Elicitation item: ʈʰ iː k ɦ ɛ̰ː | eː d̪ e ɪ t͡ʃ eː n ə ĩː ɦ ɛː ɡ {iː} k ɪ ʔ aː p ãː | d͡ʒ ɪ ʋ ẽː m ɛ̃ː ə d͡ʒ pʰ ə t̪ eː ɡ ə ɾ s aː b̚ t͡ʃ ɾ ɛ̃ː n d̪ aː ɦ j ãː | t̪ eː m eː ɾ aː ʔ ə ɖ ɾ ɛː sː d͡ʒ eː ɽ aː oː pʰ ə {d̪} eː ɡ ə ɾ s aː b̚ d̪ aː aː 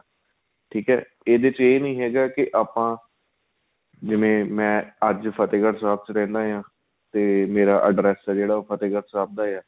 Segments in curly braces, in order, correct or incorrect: incorrect: aː, incorrect: t̪

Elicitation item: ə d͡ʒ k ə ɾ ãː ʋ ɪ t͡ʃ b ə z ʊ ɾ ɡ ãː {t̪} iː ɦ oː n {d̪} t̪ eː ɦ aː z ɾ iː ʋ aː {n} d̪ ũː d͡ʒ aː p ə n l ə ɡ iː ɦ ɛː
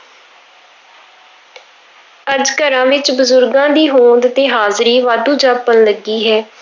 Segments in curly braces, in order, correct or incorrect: incorrect: d̪, correct, incorrect: none

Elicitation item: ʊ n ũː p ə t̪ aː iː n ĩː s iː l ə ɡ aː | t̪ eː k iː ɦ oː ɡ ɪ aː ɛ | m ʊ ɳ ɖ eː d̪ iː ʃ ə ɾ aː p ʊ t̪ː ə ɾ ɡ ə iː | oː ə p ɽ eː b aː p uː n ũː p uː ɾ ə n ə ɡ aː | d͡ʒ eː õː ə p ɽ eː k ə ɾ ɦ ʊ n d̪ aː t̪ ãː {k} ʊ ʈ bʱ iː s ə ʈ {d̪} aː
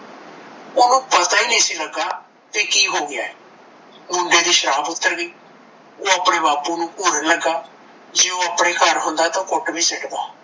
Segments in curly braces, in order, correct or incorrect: correct, correct

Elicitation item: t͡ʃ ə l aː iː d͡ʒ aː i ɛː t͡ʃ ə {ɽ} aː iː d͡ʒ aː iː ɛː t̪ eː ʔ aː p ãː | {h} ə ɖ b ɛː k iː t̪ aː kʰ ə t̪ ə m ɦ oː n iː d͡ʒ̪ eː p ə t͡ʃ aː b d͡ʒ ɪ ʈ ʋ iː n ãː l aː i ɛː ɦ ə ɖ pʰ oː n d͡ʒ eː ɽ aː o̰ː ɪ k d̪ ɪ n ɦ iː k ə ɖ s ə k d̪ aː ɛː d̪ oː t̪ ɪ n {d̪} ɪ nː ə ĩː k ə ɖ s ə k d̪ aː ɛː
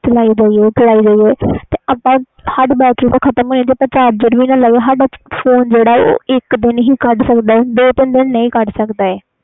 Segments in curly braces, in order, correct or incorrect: incorrect: l, correct, correct

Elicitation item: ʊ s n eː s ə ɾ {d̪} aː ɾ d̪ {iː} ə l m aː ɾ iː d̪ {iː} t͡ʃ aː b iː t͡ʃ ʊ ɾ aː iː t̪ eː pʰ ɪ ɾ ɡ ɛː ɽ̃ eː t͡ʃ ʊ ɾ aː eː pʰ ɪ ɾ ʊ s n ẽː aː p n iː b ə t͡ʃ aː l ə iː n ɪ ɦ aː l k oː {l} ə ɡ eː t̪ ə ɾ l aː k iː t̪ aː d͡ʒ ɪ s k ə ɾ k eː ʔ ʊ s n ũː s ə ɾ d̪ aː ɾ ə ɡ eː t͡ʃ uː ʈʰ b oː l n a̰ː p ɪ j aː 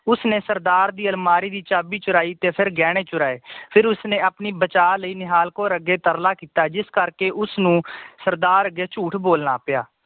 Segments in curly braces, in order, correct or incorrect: correct, correct, correct, incorrect: ɾ

